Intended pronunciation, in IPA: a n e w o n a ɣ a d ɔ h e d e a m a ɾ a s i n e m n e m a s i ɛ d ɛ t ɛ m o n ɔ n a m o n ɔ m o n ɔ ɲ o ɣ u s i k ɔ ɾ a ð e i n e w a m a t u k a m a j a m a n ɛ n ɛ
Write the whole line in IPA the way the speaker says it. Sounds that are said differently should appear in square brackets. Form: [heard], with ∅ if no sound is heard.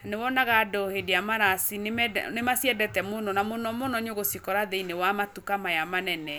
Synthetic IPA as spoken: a n e w [ɔ] n a ɣ a d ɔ h e d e a m a ɾ a s i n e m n e m a s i ɛ d ɛ t ɛ m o n ɔ n a m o n ɔ m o n ɔ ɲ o ɣ [o] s i k ɔ ɾ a ð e i n e w a m a t u k a m a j a m a n ɛ n ɛ

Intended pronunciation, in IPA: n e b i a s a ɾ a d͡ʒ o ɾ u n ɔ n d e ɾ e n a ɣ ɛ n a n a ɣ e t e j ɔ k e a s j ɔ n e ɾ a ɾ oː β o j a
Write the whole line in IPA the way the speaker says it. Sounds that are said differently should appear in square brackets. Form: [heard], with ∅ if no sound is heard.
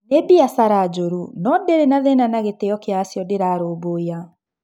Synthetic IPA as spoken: n e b i a s a ɾ a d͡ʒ o ɾ u n ɔ n d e ɾ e n a [ð] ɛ n a n a ɣ e t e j ɔ k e a s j ɔ [d] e ɾ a ɾ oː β o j a

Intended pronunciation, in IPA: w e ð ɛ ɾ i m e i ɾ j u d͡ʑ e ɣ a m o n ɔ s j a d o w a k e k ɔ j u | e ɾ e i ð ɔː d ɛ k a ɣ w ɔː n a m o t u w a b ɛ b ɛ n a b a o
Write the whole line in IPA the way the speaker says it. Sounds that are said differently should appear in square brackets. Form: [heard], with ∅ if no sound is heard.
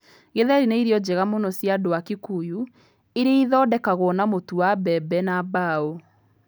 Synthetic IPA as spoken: [ɣ] e ð ɛ ɾ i [n] e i ɾ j [ɔ] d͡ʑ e ɣ a m o n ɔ s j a d o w a k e k [u] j u | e ɾ e i ð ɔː d ɛ k a ɣ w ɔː n a m o t u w a b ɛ b ɛ n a b a o

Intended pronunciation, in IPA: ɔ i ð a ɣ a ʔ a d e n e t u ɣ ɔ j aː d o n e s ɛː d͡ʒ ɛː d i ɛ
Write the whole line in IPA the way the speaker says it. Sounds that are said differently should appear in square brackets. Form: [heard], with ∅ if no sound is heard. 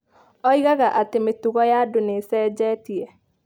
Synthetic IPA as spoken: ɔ i [ɣ] a ɣ a ʔ a [t] e [m] e t u ɣ ɔ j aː d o n e s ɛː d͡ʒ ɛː [t] i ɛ

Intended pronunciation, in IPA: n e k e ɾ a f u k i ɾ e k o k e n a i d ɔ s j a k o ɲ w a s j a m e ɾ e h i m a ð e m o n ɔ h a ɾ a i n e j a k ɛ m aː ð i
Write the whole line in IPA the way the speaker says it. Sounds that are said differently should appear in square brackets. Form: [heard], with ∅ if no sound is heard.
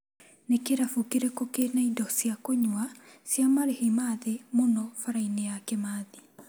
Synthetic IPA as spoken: n e k e ɾ a f u k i ɾ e k o k e n a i d ɔ s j a k o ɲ w a s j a m [a] ɾ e h i m a ð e m o n ɔ [f] a ɾ a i n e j a k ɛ m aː ð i

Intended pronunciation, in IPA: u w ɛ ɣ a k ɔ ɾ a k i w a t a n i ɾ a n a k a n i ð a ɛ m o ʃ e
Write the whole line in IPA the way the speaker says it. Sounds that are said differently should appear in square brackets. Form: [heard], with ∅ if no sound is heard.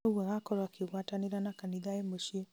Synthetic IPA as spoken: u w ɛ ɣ a k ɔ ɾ a k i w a t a n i ɾ a n a k a n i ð a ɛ m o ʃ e

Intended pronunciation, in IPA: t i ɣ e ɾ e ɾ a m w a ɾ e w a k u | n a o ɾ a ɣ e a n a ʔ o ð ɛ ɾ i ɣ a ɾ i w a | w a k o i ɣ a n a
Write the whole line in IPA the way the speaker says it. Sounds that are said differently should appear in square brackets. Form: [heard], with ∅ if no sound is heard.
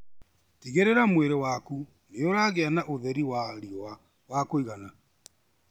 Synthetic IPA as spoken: t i ɣ e ɾ e ɾ a m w [e] ɾ e w a k u | n [e] o ɾ a ɣ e a n a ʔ o ð ɛ ɾ i [w] a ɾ i w a | w a k o i ɣ a n a

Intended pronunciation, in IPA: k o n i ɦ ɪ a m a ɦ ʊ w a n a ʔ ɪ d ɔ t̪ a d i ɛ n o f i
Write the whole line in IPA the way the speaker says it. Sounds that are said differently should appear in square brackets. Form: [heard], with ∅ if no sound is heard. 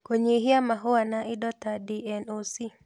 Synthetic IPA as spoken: k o [ɲ] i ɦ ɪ a m a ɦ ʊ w a n a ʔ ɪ d ɔ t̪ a d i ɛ n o [s] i

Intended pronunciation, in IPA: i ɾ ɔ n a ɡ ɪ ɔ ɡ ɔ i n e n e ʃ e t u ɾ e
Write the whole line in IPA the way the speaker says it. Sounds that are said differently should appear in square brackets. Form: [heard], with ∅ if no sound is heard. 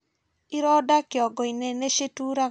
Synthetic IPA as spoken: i ɾ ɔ [d] a [k] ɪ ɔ ɡ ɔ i n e n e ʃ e t u ɾ [a]

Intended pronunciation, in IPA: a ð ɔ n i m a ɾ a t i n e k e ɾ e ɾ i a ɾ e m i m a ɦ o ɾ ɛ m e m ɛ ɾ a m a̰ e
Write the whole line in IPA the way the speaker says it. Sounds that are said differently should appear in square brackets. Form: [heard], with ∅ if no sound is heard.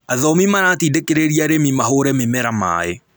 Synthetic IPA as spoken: a ð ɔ [m] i m a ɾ a t i [d] e k e ɾ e ɾ i a ɾ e m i m a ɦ o ɾ ɛ m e m ɛ ɾ a m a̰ e

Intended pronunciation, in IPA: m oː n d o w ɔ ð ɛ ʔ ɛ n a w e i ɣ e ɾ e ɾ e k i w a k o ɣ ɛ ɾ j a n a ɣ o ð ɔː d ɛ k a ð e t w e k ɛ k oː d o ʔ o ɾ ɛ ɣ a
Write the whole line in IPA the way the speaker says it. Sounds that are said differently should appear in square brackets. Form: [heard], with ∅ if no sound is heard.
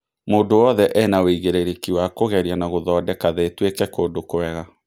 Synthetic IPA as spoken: m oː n d o w ɔ ð ɛ ʔ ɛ n a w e i ɣ e ɾ e ɾ e k i w a k o ɣ ɛ ɾ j a n a ɣ o ð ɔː d ɛ k a ð e t w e k ɛ k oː d o [k] o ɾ ɛ ɣ a

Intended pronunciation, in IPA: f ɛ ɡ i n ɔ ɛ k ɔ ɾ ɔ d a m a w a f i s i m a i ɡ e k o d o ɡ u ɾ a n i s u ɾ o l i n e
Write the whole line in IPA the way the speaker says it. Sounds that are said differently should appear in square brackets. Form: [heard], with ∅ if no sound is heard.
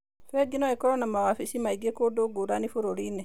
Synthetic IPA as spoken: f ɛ ɡ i n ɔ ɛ k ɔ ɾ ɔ [n] a m a w a f i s i m a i ɡ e k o d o ɡ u ɾ a n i [f] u ɾ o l i n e

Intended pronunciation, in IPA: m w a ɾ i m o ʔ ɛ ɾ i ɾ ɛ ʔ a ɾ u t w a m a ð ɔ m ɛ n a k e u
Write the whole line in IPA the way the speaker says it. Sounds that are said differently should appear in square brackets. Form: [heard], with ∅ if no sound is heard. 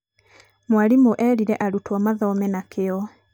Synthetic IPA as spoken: m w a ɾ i m o ʔ ɛ ɾ i ɾ ɛ ʔ a ɾ u t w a m a ð ɔ m ɛ n a k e [ɔ]

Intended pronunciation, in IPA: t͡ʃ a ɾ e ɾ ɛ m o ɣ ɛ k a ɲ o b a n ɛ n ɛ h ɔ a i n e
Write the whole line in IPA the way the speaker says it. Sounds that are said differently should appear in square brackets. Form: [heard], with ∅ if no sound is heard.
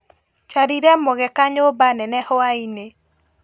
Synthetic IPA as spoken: t͡ʃ a ɾ [i] ɾ ɛ m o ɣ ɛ k a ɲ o b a n ɛ n ɛ h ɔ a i n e

